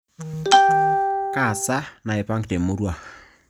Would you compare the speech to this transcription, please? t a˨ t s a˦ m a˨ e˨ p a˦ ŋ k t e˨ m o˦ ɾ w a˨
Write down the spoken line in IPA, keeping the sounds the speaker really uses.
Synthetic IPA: k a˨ s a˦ n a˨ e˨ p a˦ ŋ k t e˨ m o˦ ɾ w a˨